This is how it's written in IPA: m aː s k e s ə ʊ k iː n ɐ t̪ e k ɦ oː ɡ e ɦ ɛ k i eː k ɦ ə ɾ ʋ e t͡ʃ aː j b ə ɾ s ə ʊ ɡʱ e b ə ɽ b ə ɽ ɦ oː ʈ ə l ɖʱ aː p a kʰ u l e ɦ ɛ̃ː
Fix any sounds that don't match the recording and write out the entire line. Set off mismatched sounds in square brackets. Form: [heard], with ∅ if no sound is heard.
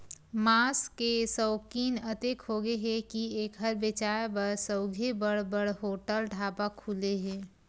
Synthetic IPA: m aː s k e s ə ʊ k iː n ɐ t̪ e k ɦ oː ɡ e ɦ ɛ k i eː k ɦ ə ɾ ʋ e t͡ʃ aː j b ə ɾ s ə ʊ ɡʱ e b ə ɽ b ə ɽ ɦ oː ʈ ə l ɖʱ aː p a kʰ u l e ɦ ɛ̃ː